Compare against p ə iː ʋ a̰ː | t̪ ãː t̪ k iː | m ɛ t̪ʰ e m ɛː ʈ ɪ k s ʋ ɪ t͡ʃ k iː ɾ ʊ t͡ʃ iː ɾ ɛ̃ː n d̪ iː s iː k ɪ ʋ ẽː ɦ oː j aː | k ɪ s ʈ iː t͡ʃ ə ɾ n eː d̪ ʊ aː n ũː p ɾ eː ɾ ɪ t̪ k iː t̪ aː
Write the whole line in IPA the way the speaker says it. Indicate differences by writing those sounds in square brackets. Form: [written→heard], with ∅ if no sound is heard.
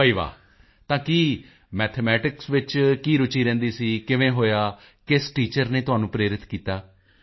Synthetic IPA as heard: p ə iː ʋ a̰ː | t̪ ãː [t̪→∅] k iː | m [ɛ→ɛː] t̪ʰ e m ɛː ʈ ɪ k s ʋ ɪ t͡ʃ k iː ɾ ʊ t͡ʃ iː ɾ ɛ̃ː n d̪ iː s iː k ɪ ʋ ẽː ɦ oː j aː | k ɪ s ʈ iː t͡ʃ ə ɾ n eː [d̪→t̪] ʊ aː n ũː p ɾ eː ɾ ɪ t̪ k iː t̪ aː